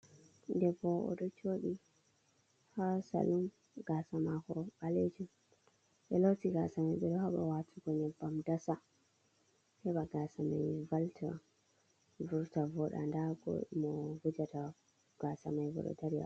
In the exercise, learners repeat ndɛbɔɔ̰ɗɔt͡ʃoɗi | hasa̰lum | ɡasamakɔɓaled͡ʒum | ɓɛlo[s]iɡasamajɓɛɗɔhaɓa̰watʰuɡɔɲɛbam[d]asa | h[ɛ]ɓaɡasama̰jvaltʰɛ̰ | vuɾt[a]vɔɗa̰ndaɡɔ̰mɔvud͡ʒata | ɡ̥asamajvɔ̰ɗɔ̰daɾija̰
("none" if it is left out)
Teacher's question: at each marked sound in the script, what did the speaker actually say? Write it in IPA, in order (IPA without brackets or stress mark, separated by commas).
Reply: t, d, ɛ, a